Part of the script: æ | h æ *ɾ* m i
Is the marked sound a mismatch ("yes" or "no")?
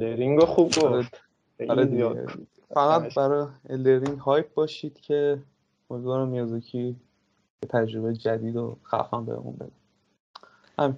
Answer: yes